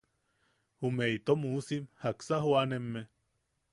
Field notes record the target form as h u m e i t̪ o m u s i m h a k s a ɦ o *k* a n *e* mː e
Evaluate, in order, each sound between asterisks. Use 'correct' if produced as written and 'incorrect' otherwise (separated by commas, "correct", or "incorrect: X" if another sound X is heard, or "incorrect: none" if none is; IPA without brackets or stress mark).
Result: incorrect: none, correct